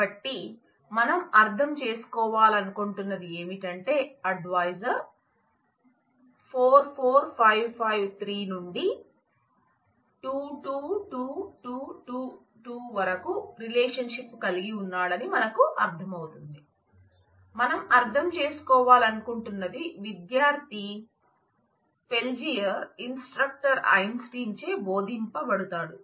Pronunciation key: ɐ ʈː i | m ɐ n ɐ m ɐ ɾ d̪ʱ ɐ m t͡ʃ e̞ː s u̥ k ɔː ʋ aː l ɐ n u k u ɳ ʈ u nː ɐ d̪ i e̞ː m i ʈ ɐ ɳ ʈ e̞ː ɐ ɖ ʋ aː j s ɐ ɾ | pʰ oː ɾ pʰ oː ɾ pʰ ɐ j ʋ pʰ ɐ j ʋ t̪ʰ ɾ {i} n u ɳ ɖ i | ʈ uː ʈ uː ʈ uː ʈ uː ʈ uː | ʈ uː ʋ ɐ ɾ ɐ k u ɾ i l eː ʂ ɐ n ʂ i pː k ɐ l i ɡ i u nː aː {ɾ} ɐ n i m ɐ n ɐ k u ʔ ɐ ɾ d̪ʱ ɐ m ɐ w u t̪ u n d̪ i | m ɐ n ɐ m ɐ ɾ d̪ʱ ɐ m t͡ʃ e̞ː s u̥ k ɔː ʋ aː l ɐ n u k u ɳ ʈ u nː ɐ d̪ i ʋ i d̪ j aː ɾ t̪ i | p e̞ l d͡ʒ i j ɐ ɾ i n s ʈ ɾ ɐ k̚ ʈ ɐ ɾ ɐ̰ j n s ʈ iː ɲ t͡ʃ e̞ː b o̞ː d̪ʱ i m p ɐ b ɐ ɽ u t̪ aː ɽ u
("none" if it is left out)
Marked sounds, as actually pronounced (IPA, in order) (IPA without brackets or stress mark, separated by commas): iː, ɽ